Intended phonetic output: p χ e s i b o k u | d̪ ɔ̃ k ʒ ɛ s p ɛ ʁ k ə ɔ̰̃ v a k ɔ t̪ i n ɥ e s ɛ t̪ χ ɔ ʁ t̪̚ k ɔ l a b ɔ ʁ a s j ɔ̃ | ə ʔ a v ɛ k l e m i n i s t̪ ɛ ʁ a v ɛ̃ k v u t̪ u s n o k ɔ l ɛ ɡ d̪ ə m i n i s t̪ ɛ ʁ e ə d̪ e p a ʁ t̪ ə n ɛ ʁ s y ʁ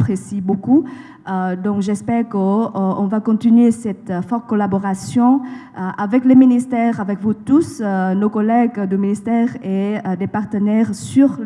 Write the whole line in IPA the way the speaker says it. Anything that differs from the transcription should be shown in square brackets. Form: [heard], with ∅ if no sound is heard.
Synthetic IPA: p χ e s i b o k u | d̪ ɔ̃ k ʒ ɛ s p ɛ ʁ k ə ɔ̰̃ v a k [ɔ̃] t̪ i n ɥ e s ɛ t̪ [f] ɔ ʁ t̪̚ k ɔ l a b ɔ ʁ a s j ɔ̃ | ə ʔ a v ɛ k l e m i n i s t̪ ɛ ʁ a v [ɛ] k v u t̪ u s n o k ɔ l ɛ ɡ d̪ ə m i n i s t̪ ɛ ʁ e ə d̪ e p a ʁ t̪ ə n ɛ ʁ s y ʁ